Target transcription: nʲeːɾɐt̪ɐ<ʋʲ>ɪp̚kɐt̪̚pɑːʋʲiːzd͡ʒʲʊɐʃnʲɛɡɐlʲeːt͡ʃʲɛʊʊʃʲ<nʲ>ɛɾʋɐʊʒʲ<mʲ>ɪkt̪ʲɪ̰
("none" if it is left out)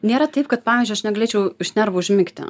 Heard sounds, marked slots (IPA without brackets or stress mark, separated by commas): none, nʲ, mʲ